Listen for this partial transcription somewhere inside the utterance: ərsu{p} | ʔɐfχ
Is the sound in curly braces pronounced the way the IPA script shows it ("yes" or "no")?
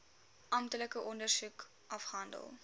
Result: no